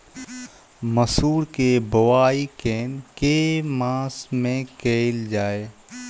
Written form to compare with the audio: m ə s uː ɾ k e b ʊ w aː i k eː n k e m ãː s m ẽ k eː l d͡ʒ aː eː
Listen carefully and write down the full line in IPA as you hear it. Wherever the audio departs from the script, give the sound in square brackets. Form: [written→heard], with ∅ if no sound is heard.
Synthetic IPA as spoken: m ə s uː ɾ k e b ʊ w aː i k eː n k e m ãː s m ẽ k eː l d͡ʒ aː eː